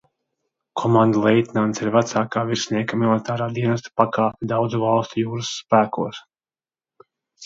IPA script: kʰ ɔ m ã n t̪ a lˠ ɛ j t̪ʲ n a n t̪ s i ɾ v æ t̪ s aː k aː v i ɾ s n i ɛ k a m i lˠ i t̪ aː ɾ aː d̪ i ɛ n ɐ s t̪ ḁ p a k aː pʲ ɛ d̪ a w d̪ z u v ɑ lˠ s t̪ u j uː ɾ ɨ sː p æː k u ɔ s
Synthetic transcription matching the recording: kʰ ɔ m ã n d̪ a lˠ ɛ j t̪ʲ n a n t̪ s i ɾ v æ t̪ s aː k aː v i ɾ s n i ɛ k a m i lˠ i t̪ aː ɾ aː d̪ i ɛ n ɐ s t̪ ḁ p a k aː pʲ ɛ d̪ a w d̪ z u v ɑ lˠ s t̪ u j uː ɾ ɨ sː p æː k u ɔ s